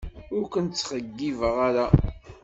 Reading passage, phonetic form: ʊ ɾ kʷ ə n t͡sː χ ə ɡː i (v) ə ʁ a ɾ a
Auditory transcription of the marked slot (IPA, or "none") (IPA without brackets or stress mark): v